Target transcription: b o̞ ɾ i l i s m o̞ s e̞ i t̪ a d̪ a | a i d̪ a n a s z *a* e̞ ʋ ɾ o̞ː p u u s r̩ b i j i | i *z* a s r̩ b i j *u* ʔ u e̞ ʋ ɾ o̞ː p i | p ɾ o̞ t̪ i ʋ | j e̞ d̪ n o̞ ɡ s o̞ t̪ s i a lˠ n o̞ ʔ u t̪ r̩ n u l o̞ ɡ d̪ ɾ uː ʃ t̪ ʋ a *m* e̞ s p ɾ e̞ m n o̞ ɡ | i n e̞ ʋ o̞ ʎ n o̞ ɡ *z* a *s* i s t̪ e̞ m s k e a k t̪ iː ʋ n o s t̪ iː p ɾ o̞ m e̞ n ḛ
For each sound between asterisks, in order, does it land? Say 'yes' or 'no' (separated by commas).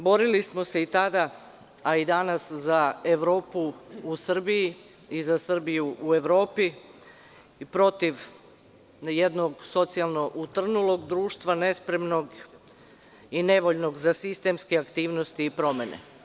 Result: yes, yes, yes, no, yes, yes